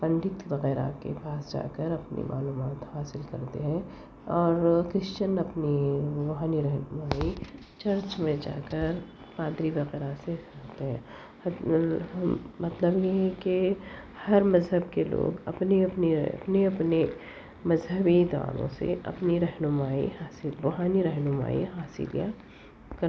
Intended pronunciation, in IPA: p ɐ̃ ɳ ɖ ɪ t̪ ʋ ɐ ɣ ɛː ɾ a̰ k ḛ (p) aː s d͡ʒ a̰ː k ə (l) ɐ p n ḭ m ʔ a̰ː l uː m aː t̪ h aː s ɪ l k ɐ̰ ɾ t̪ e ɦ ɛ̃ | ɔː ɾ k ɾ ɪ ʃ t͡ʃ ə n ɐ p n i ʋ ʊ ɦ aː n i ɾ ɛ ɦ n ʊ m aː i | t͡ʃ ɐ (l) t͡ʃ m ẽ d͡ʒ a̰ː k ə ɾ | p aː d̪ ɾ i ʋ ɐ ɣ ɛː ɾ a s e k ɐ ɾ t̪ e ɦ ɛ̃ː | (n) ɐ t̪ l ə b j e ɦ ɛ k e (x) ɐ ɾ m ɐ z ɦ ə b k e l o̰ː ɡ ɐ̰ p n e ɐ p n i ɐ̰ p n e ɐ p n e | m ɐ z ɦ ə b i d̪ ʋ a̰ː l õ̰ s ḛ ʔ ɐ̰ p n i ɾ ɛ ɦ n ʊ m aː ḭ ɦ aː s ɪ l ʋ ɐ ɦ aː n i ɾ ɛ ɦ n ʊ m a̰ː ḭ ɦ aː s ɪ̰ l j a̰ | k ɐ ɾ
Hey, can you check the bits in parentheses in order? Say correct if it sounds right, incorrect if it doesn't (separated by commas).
correct, incorrect, incorrect, incorrect, incorrect